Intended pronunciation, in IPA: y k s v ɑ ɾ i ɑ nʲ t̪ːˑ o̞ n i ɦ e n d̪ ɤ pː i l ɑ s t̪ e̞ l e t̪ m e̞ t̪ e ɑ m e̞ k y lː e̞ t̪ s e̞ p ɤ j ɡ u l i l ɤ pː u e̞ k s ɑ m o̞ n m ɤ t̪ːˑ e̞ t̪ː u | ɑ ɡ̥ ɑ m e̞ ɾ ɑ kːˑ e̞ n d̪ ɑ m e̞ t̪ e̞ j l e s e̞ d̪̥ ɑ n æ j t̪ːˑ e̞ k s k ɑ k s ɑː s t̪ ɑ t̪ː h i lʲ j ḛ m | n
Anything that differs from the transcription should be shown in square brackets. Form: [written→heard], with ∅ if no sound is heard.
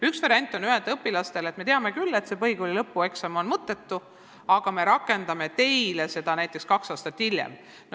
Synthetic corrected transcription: y k s v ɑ ɾ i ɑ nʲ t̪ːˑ o̞ n [i→y] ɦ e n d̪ ɤ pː i l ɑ s t̪ e̞ l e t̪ m e̞ t̪ e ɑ m e̞ k y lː e̞ t̪ s e̞ p ɤ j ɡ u l i l ɤ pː u e̞ k s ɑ m o̞ n m ɤ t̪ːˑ e̞ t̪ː u | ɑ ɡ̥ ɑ m e̞ ɾ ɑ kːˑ e̞ n d̪ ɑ m e̞ t̪ e̞ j l e s e̞ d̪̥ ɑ n æ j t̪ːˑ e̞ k s k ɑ k s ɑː s t̪ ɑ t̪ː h i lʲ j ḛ m | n